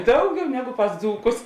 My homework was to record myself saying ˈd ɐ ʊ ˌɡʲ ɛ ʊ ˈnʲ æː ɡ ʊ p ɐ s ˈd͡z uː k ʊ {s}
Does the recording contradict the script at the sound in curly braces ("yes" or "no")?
no